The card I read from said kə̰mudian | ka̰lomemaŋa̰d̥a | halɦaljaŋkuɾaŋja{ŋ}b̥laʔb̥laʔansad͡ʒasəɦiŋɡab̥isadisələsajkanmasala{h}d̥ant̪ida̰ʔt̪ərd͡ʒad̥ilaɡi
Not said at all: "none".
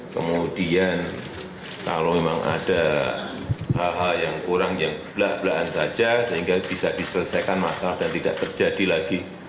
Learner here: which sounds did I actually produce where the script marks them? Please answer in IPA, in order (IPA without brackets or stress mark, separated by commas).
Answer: ŋ, h